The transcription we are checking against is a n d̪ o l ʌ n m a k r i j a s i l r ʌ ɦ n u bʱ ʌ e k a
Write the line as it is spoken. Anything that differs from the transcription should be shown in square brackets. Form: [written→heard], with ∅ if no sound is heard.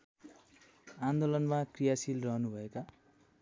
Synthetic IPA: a n d̪ o l ʌ n m a k r i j a s i l r ʌ ɦ n u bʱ ʌ e k a